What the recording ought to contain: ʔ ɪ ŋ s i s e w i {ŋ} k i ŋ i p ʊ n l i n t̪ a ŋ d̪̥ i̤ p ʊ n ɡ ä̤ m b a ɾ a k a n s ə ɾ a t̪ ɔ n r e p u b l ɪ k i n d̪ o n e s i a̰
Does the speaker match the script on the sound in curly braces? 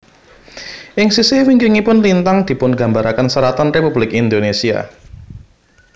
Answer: yes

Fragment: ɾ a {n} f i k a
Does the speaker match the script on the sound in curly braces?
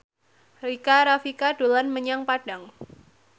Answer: no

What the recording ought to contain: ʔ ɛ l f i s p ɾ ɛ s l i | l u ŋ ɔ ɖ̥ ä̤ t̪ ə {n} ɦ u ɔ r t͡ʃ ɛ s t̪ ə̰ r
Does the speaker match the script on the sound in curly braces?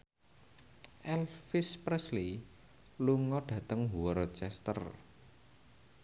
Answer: no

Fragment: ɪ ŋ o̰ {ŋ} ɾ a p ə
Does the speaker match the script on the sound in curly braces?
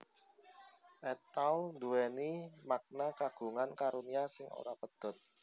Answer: no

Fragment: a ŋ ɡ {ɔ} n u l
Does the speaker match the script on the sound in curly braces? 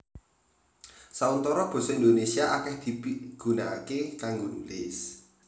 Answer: no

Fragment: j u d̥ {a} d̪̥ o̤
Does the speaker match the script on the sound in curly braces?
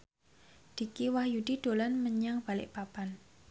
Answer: no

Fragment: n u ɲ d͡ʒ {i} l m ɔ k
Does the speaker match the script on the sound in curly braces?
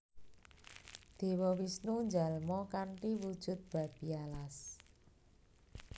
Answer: no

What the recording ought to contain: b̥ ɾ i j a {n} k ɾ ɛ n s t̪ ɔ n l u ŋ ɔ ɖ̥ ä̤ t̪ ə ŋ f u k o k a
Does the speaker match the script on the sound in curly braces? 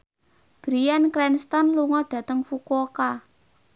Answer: yes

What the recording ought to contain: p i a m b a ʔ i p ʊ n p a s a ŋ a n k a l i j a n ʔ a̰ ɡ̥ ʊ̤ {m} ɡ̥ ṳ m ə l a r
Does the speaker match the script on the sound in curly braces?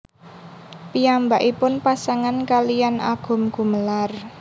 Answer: yes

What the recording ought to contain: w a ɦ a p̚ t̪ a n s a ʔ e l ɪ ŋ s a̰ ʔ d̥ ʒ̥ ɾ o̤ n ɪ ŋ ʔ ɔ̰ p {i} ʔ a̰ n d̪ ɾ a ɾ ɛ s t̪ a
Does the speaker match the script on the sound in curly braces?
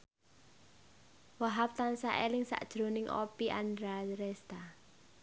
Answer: yes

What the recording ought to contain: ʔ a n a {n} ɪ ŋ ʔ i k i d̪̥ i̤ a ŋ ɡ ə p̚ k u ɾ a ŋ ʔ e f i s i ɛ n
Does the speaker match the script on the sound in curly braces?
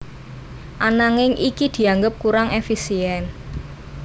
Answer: no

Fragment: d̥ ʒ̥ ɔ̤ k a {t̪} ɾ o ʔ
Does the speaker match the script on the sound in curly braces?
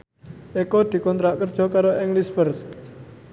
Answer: no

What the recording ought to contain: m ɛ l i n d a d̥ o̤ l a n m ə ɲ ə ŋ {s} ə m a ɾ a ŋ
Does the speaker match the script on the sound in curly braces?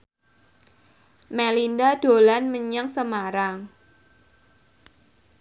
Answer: yes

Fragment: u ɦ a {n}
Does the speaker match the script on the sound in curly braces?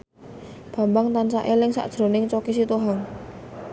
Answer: no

